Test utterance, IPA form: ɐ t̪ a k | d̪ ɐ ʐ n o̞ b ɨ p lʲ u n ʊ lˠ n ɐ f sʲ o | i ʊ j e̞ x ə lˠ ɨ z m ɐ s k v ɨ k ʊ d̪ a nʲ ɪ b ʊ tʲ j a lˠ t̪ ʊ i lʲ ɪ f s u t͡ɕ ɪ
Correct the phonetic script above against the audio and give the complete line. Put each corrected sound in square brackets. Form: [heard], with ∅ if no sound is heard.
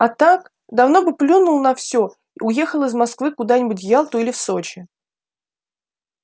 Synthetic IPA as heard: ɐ t̪ a k | d̪ ɐ [v] n o̞ b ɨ p lʲ u n ʊ lˠ n ɐ f sʲ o | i ʊ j e̞ x ə lˠ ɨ z m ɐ s k v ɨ k ʊ d̪ a nʲ ɪ b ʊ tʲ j a lˠ t̪ ʊ i lʲ ɪ f s [o] t͡ɕ ɪ